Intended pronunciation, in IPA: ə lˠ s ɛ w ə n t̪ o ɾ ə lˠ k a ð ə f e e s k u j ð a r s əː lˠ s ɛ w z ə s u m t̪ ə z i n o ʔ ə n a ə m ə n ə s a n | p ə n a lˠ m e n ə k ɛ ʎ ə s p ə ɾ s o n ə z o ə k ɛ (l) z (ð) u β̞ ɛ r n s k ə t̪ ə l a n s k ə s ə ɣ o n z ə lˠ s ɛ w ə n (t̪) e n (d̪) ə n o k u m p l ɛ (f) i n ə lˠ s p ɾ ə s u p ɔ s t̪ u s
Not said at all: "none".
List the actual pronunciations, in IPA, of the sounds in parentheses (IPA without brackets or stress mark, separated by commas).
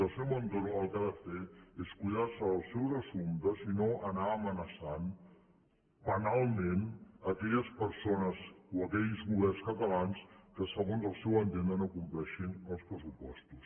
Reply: ʎ, ɣ, t̪, d̪, ʃ